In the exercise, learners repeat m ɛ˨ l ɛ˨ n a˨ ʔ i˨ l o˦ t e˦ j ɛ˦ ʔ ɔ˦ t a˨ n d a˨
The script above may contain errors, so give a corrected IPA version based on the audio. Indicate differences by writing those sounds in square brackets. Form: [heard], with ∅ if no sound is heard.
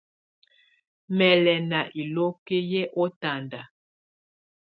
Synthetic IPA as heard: m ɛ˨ l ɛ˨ n a˨ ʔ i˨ l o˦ [k] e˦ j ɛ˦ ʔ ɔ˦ t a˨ n d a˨